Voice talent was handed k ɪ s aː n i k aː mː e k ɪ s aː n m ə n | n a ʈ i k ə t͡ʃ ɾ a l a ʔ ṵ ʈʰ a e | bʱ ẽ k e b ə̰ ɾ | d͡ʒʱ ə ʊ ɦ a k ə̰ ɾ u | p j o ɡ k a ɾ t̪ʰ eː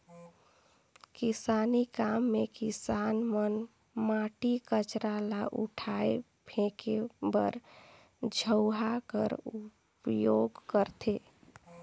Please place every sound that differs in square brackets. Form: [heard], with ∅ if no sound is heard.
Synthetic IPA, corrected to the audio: k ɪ s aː n i k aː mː e k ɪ s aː n m ə n | [m] a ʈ i k ə t͡ʃ ɾ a l a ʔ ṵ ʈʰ a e | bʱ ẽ k e b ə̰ ɾ | d͡ʒʱ ə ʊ ɦ a k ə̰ ɾ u | p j o ɡ k [ə] ɾ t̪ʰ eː